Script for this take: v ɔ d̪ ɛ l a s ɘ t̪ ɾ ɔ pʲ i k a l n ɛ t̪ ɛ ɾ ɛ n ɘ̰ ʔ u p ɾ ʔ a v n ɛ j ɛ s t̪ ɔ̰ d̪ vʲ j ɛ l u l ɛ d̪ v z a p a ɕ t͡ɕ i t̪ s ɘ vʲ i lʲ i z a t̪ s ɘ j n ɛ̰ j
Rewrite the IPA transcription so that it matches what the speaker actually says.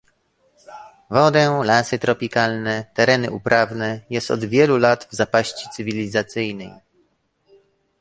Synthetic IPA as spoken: v ɔ d̪ ɛ l a s ɘ t̪ ɾ ɔ pʲ i k a l n ɛ t̪ ɛ ɾ ɛ n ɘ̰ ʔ u p ɾ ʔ a v n ɛ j ɛ s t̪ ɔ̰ d̪ vʲ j ɛ l u l a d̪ v z a p a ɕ t͡ɕ i t̪ s ɘ vʲ i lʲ i z a t̪ s ɘ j n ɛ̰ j